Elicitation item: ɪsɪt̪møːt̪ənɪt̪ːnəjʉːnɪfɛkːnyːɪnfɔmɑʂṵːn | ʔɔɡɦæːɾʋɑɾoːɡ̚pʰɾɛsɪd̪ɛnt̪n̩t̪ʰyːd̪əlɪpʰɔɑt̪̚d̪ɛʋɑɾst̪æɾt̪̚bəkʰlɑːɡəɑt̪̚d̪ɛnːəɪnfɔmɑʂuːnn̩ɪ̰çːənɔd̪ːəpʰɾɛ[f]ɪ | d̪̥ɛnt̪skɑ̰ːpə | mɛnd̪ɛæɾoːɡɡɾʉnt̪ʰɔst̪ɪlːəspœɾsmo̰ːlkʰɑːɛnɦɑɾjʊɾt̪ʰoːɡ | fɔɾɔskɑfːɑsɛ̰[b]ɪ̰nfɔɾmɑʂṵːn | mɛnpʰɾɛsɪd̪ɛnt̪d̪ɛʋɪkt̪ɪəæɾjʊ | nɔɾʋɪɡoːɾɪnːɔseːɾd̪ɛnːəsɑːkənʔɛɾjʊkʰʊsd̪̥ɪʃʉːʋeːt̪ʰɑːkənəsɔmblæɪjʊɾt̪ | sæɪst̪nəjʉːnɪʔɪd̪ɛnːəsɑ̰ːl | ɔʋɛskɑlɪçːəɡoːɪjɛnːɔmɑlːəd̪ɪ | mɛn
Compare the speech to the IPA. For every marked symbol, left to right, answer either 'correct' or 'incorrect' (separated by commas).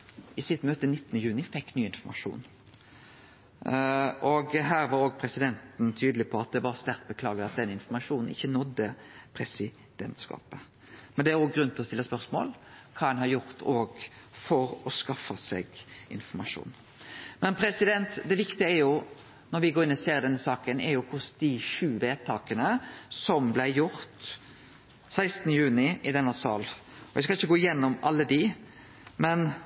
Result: incorrect, incorrect